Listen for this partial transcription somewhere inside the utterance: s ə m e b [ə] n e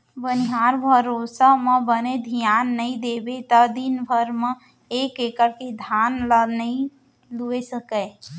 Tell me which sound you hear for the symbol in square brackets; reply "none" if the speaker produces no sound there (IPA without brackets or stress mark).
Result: ə